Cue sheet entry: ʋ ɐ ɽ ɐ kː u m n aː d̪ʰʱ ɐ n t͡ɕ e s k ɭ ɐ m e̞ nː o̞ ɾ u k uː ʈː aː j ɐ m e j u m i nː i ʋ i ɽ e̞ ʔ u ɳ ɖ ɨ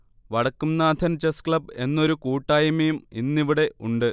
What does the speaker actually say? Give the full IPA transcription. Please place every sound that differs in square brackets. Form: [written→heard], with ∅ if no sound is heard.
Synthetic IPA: ʋ ɐ ɽ ɐ kː u m n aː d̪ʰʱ ɐ n t͡ɕ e s k ɭ ɐ [m→b] e̞ nː o̞ ɾ u k uː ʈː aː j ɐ m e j u m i nː i ʋ i ɽ e̞ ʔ u ɳ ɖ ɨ

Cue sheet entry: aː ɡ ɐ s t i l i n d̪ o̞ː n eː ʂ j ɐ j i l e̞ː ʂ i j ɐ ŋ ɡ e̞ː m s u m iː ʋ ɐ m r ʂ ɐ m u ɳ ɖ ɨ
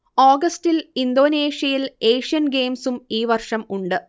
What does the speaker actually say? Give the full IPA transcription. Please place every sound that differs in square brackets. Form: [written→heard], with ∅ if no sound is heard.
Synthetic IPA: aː ɡ ɐ s t i l i n d̪ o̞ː n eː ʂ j ɐ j i l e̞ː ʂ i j ɐ [ŋ→n] ɡ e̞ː m s u m iː ʋ ɐ [m→∅] r ʂ ɐ m u ɳ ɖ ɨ

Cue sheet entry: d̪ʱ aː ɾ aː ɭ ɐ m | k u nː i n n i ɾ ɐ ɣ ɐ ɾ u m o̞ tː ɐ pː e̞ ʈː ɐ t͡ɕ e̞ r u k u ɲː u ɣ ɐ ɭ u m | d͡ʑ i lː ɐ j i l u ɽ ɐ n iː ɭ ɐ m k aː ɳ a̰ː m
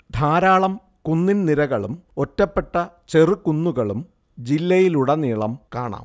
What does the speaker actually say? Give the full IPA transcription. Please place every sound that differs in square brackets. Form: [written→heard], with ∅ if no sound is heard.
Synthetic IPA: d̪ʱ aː ɾ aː ɭ ɐ m | k u nː i n n i ɾ ɐ ɣ ɐ [ɾ→ɭ] u m o̞ tː ɐ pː e̞ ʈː ɐ t͡ɕ e̞ r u k u [ɲː→nː] u ɣ ɐ ɭ u m | d͡ʑ i lː ɐ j i l u ɽ ɐ n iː ɭ ɐ m k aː ɳ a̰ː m

